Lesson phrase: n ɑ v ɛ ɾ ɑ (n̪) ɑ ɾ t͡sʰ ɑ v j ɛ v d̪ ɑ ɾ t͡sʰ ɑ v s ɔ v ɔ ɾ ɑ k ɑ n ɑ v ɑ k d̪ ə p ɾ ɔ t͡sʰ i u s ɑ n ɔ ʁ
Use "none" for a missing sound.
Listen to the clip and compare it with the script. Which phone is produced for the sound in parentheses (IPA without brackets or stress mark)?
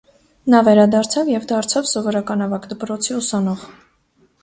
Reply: d̪